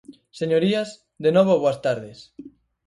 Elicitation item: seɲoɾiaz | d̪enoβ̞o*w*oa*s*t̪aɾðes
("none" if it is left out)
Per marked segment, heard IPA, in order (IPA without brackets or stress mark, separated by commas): β, s